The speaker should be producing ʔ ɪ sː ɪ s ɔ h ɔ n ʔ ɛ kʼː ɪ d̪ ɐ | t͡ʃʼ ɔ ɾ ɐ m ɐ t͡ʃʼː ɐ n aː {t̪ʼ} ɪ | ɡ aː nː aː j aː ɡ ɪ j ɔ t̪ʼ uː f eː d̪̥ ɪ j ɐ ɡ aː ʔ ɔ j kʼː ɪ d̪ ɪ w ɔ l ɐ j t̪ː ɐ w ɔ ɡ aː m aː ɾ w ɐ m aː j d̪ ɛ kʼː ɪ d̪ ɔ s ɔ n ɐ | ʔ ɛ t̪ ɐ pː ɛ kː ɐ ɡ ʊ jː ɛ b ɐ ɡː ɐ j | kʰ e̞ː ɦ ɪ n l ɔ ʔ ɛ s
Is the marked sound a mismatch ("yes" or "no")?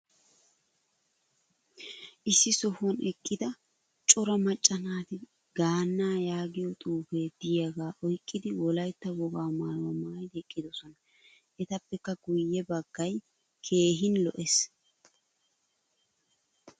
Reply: yes